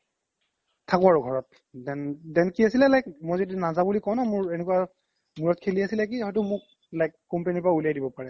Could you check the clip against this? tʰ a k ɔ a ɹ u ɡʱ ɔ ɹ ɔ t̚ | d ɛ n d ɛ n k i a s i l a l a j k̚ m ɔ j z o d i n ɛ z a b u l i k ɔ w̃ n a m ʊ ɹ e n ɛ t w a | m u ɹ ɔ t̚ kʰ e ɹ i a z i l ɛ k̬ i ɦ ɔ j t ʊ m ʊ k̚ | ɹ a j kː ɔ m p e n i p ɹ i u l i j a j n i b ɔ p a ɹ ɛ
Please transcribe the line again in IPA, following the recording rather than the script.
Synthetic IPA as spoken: tʰ a k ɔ a ɹ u ɡʱ ɔ ɹ ɔ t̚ | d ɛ n d ɛ n k i a s i l ɛ l a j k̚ m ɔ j z o d i n a z a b u l i k ɔ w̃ n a m ʊ ɹ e n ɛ k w a | m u ɹ ɔ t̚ kʰ e l i a s i l ɛ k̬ i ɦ ɔ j t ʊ m ʊ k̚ | l a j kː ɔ m p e n i p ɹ a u l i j a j d i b ɔ p a ɹ ɛ